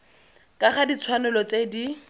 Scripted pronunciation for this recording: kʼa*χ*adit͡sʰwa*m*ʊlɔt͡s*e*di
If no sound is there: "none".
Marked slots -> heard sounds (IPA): χ, n, e

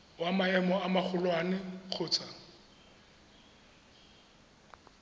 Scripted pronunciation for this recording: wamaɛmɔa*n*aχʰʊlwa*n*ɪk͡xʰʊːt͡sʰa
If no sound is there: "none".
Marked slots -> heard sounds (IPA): m, n

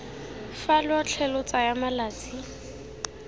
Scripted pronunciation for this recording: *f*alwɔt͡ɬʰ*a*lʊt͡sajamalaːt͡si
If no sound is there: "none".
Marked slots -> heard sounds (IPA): f, ɛ

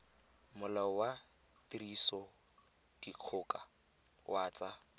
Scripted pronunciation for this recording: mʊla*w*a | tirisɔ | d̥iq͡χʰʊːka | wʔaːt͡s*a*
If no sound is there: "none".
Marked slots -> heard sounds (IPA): w, a

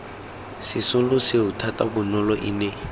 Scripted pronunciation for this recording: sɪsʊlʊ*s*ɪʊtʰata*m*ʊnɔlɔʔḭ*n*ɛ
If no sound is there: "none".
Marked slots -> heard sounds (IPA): s, b, n

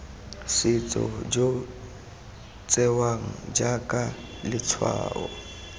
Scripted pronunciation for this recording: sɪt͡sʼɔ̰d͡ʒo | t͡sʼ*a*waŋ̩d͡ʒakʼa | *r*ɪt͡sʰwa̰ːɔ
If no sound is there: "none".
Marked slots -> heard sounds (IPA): ɛ, l

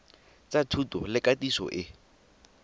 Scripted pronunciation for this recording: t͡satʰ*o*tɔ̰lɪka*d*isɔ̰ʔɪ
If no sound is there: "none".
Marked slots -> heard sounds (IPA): u, t

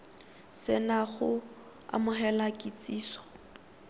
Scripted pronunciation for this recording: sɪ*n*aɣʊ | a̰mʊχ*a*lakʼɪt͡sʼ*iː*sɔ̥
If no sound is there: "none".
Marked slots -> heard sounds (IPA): n, ɛ, iː

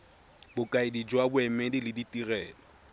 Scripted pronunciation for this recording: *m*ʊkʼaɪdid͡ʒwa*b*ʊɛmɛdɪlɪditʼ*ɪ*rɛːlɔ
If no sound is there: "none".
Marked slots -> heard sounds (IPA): b, b, i

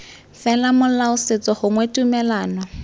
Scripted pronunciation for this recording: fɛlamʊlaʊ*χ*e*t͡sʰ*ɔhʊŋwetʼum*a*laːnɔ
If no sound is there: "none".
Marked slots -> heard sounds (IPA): s, t͡s, ɛ

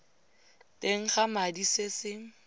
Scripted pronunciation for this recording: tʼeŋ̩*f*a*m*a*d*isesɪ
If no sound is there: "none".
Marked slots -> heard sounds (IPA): χ, m, d

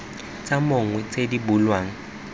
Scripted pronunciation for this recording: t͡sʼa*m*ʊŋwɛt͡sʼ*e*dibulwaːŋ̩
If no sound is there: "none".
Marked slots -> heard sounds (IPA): m, e

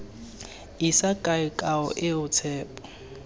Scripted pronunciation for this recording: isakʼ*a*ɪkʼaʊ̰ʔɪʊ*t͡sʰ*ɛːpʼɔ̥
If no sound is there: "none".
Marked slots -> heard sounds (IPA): a, t͡sʰ

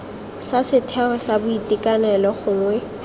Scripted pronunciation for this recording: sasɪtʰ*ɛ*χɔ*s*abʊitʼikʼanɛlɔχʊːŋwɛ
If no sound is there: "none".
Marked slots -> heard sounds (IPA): ɛ, s

